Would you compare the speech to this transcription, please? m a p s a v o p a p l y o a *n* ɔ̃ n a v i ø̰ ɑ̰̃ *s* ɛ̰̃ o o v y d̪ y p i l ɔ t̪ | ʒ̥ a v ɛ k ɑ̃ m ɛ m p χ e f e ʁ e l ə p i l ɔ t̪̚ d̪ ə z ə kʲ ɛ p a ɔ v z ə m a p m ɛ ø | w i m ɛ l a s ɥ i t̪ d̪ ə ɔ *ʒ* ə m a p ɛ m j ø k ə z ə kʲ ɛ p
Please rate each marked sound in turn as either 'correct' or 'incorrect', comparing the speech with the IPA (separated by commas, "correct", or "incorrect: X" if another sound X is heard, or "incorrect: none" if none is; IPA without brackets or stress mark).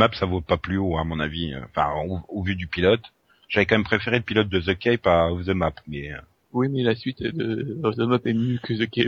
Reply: incorrect: m, incorrect: f, incorrect: z